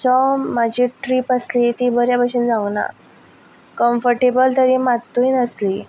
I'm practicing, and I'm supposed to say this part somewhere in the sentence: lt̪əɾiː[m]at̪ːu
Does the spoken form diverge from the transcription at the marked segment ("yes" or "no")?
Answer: no